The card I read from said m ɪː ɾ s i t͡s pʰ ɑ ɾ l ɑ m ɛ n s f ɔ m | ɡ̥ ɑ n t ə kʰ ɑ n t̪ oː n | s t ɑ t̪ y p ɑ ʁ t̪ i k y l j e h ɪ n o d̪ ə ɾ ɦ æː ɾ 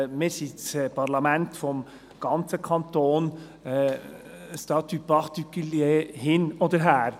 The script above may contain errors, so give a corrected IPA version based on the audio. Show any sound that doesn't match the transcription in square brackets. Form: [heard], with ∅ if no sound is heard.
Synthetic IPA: m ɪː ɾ s i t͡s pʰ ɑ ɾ l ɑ m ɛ n [t] f ɔ m | ɡ̥ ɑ n [t͡s] ə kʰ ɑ n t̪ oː n | s t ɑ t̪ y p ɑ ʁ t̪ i k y l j e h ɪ n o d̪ ə ɾ ɦ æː ɾ